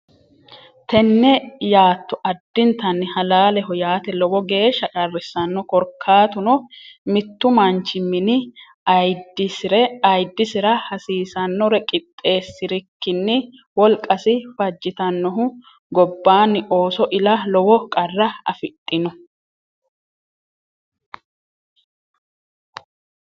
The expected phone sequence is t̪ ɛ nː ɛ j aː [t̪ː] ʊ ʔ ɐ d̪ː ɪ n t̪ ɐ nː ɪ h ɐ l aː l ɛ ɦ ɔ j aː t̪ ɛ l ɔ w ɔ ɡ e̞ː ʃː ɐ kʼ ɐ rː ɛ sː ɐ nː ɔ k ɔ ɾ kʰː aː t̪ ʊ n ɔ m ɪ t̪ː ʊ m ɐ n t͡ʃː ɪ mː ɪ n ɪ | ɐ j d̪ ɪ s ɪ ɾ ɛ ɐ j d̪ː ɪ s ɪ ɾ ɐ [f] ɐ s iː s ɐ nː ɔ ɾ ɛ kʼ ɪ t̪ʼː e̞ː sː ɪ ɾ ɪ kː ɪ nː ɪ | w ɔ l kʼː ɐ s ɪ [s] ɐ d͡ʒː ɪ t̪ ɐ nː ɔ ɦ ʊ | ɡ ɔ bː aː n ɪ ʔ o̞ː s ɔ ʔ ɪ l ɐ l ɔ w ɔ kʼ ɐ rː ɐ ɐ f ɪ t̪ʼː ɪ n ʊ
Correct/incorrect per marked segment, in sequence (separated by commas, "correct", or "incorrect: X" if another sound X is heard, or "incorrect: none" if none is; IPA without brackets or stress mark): correct, incorrect: h, incorrect: f